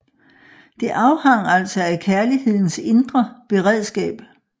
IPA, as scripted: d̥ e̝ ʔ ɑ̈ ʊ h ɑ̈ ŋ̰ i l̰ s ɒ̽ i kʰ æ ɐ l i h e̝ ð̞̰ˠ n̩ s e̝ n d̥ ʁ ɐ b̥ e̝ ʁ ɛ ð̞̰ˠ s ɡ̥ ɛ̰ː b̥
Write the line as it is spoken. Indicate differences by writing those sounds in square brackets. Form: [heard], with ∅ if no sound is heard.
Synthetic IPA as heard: d̥ e̝ ʔ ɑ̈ ʊ h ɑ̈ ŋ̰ [æ] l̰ s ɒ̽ [æ] kʰ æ ɐ l i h e̝ ð̞̰ˠ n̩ s e̝ n d̥ ʁ ɐ b̥ e̝ ʁ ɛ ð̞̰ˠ s ɡ̥ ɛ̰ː b̥